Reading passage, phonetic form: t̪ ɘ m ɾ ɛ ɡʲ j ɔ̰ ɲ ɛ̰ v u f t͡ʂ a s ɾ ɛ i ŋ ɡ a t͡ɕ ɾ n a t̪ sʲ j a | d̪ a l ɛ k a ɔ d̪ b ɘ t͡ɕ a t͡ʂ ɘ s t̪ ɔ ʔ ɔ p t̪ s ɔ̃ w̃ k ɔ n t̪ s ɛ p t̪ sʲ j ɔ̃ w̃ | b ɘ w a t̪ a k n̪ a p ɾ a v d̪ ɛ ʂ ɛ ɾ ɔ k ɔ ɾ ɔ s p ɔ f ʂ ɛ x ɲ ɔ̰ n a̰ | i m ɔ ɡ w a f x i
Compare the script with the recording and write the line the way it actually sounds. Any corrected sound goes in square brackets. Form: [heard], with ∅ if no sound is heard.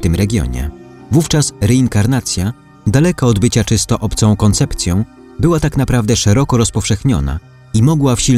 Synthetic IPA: t̪ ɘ m ɾ ɛ ɡʲ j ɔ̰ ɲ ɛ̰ v u f t͡ʂ a s ɾ ɛ i ŋ [k] a [∅] ɾ n a t̪ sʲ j a | d̪ a l ɛ k a ɔ d̪ b ɘ t͡ɕ a t͡ʂ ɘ s t̪ ɔ ʔ ɔ p t̪ s ɔ̃ w̃ k ɔ n t̪ s ɛ p t̪ sʲ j ɔ̃ w̃ | b ɘ w a t̪ a k n̪ a p ɾ a v d̪ ɛ ʂ ɛ ɾ ɔ k ɔ ɾ ɔ s p ɔ f ʂ ɛ x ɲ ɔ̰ n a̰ | i m ɔ ɡ w a f [ɕ] i